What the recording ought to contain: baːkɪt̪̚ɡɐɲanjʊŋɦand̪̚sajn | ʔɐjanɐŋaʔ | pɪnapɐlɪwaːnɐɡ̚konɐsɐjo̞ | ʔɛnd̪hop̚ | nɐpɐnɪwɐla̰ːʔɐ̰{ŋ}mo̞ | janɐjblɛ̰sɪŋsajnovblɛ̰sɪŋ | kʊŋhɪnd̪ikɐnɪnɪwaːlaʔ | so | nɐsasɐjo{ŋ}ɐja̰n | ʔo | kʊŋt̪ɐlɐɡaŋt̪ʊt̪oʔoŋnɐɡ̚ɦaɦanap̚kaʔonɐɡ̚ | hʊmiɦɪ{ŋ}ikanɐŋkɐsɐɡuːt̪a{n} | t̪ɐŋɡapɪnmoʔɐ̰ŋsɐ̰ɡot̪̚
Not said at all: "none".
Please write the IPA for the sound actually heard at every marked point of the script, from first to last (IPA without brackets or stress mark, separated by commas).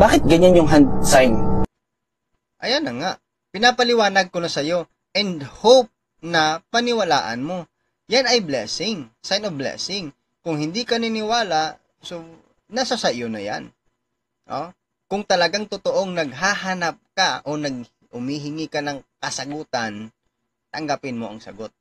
n, n, ŋ, n